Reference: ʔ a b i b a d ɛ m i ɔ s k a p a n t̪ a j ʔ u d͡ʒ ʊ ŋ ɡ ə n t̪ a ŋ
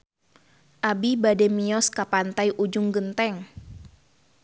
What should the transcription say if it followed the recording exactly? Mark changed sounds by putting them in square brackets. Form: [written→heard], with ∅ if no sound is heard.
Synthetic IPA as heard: ʔ a b i b a d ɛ m i ɔ s k a p a n t̪ a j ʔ u d͡ʒ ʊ ŋ ɡ ə n t̪ [a→ɛ] ŋ